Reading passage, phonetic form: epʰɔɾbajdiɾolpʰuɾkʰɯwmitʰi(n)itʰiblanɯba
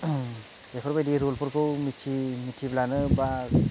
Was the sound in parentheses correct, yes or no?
no